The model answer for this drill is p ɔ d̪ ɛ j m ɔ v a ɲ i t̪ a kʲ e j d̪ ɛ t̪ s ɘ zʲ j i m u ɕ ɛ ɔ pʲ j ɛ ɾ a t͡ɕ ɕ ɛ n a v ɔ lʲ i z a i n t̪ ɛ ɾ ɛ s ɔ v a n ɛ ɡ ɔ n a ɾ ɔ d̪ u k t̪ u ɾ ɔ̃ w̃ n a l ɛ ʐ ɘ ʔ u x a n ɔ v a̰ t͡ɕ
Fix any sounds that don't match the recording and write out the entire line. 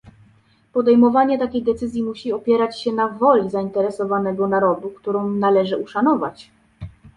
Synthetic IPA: p ɔ d̪ ɛ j m ɔ v a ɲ ɛ t̪ a kʲ e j d̪ ɛ t̪ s ɘ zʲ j i m u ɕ i ɔ pʲ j ɛ ɾ a t͡ɕ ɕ ɛ n a v ɔ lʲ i z a i n t̪ ɛ ɾ ɛ s ɔ v a n ɛ ɡ ɔ n a ɾ ɔ d̪ u k t̪ u ɾ ɔ̃ w̃ n a l ɛ ʐ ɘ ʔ u ʂ a n ɔ v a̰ t͡ɕ